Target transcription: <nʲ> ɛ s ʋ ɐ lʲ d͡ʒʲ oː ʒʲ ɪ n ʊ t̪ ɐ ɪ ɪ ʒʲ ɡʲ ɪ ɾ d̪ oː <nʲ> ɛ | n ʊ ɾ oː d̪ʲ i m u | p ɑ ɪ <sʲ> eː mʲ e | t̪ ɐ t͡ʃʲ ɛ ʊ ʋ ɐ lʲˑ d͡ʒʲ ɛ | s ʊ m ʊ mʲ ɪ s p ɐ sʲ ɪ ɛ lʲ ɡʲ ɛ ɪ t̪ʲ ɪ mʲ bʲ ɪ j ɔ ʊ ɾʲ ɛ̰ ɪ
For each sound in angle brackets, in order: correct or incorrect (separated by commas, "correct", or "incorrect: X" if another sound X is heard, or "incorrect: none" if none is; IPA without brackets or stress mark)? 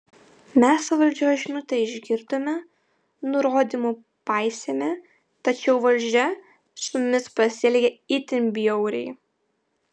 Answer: incorrect: mʲ, incorrect: mʲ, correct